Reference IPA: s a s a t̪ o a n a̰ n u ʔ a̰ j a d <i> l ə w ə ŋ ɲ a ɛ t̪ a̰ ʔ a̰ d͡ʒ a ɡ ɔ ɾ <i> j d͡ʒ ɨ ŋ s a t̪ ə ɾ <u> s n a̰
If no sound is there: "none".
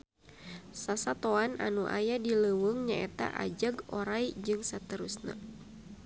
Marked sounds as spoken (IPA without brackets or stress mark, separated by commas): i, a, u